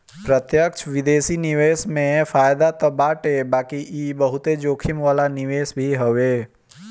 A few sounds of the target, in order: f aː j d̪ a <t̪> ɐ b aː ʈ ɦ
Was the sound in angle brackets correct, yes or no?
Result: yes